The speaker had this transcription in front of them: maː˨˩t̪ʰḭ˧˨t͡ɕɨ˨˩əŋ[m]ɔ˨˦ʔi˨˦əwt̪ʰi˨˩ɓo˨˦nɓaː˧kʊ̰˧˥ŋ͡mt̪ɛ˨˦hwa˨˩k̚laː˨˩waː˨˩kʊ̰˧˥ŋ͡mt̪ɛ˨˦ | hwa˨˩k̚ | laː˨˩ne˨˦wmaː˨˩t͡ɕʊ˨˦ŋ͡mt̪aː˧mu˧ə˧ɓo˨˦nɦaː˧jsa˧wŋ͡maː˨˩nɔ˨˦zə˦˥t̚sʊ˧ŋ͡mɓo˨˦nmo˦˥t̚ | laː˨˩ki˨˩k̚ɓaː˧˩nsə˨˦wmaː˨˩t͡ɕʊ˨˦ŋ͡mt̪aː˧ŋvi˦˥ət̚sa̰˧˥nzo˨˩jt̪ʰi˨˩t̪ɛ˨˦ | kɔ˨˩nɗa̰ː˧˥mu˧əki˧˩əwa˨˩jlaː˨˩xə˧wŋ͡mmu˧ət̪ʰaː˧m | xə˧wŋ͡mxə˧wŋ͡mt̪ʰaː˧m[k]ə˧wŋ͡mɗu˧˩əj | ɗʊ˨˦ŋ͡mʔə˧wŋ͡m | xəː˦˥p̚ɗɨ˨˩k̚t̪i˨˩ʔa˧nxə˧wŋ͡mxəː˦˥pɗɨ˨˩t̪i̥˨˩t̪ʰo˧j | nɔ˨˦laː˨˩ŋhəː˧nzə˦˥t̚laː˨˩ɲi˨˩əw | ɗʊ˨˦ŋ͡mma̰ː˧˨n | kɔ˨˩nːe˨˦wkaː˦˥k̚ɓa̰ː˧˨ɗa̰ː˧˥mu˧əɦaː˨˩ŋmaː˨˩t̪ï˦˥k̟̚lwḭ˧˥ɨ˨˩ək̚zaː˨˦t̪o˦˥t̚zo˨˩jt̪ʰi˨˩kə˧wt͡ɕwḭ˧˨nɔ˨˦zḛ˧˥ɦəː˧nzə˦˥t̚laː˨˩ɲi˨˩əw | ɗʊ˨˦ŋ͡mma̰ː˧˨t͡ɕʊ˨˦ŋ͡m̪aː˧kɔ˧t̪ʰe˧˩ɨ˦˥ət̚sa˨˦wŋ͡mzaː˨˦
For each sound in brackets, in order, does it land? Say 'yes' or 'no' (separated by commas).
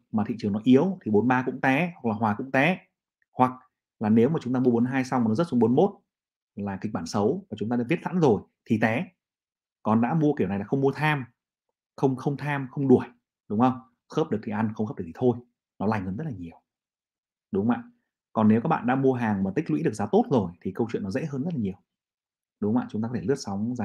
no, no